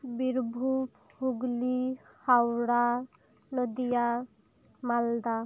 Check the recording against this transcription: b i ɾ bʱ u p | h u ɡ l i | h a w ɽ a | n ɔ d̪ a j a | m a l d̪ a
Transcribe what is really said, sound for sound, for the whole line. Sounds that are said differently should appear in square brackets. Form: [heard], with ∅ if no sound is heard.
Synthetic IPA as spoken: b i ɾ bʱ u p | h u ɡ l i | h a w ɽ a | n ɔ d̪ [i] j a | m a l d̪ a

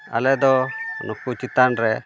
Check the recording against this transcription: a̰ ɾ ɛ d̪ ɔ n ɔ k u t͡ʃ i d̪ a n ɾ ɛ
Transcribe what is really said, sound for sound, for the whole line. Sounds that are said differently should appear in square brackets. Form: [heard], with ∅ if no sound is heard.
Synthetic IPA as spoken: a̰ [l] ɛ d̪ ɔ n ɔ k u t͡ʃ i [t̪] a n ɾ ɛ

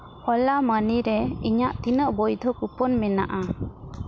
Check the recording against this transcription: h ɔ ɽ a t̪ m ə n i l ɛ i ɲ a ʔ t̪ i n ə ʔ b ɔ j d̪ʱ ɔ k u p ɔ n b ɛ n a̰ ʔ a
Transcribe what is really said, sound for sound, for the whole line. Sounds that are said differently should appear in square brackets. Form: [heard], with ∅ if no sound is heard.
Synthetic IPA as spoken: h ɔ [l] a [∅] m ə n i [ɾ] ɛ i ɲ a ʔ t̪ i n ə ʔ b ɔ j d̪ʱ ɔ k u p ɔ n [m] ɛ n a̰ ʔ a

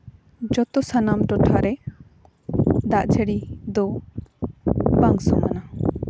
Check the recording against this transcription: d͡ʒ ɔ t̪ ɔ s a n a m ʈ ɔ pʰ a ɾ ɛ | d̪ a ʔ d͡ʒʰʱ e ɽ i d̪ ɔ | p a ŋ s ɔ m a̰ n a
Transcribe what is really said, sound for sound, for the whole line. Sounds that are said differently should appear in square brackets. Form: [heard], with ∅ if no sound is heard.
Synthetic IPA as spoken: d͡ʒ ɔ t̪ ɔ s a n a m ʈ ɔ [ʈʰ] a ɾ ɛ | d̪ a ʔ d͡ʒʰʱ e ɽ i d̪ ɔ | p a ŋ s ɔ m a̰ n a

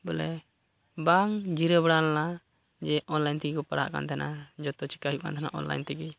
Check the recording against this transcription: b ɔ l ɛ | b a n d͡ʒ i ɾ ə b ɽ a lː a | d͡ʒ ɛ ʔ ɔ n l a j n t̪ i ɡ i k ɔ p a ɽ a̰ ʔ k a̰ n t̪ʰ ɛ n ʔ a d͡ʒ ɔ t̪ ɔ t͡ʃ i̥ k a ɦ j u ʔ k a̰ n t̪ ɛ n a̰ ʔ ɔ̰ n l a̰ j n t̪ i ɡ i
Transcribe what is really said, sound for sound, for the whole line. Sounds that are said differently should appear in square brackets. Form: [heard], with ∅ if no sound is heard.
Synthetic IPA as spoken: b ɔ l ɛ | b a [ŋ] d͡ʒ i ɾ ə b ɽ a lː a | d͡ʒ ɛ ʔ ɔ n l a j n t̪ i ɡ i k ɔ p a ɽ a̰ ʔ k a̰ n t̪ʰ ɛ n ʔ a d͡ʒ ɔ t̪ ɔ t͡ʃ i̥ k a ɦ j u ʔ k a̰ n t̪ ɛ n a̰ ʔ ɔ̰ n l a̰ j n t̪ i ɡ i

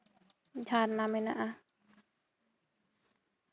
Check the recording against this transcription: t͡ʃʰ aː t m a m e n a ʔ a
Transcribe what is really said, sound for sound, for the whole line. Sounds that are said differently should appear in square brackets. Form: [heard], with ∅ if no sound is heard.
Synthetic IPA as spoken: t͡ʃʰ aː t [n] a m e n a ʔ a

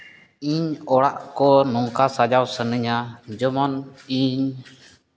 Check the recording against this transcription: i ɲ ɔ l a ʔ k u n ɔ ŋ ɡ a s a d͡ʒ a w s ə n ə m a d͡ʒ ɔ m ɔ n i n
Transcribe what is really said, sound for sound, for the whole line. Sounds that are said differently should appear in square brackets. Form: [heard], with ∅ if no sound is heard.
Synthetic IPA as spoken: i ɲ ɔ [ɽ] a ʔ k [ɔ] n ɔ ŋ [k] a s a d͡ʒ a w s ə n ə [ɲ] a d͡ʒ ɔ m ɔ n i [ɲ]

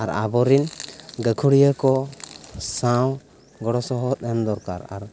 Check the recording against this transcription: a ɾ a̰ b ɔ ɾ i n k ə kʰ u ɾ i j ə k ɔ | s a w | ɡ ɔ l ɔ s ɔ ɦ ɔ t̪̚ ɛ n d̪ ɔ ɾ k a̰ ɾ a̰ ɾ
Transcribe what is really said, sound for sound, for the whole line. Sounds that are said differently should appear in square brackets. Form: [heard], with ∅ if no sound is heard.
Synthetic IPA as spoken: a ɾ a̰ b ɔ ɾ i n [ɡ] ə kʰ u [ɽ] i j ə k ɔ | s a w | ɡ ɔ [ɽ] ɔ s ɔ ɦ ɔ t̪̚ ɛ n d̪ ɔ ɾ k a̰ ɾ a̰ ɾ

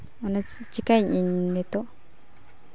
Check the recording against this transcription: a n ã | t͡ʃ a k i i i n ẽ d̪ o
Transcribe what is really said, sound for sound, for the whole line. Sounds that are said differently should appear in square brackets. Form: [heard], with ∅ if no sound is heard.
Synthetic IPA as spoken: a n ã | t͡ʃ [i] k [a] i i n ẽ [t̪] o

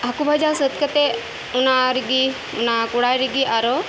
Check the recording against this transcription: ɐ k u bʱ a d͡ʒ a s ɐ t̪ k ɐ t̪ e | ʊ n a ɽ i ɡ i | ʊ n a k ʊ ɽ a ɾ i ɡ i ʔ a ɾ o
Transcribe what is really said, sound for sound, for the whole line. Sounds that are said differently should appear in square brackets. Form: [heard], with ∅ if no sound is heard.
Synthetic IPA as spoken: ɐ k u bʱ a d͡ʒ a s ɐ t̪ k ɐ t̪ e | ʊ n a [ɾ] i ɡ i | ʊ n a k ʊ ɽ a ɾ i ɡ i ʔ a ɾ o

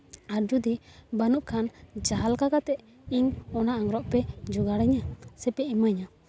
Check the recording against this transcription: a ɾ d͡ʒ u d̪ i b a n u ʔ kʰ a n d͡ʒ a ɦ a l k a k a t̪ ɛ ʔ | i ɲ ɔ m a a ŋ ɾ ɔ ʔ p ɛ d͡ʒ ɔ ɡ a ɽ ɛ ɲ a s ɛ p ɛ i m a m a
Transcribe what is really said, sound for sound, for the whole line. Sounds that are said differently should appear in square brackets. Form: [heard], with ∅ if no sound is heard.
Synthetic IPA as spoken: a ɾ d͡ʒ u d̪ i b a n u ʔ kʰ a n d͡ʒ a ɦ a l k a k a t̪ ɛ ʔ | i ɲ ɔ [n] a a ŋ ɾ ɔ ʔ p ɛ d͡ʒ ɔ ɡ a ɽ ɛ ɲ a s ɛ p ɛ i m a [ɲ] a

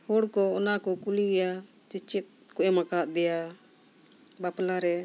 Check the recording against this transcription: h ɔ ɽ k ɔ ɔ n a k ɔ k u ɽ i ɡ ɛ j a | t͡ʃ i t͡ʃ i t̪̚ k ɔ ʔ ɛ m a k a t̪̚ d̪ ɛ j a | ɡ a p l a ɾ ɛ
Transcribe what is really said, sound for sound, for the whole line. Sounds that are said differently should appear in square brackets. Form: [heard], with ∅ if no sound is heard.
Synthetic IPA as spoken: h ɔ ɽ k ɔ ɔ n a k ɔ k u [l] i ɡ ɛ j a | t͡ʃ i t͡ʃ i t̪̚ k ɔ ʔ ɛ m a k a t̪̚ d̪ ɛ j a | [b] a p l a ɾ ɛ

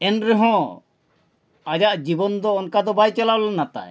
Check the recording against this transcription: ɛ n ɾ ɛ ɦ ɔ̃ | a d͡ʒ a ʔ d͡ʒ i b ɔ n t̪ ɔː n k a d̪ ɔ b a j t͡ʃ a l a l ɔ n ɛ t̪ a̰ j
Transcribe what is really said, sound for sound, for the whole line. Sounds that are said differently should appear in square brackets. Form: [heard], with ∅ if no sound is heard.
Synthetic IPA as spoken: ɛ n ɾ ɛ ɦ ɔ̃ | a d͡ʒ a ʔ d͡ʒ i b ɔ n [d̪] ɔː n k a d̪ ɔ b a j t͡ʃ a l a l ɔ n [a] t̪ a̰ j

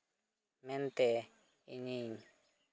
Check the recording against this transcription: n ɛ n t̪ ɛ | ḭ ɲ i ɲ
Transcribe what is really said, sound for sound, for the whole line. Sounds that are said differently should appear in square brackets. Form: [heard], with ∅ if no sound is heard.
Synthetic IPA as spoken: [m] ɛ n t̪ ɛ | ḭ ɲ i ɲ

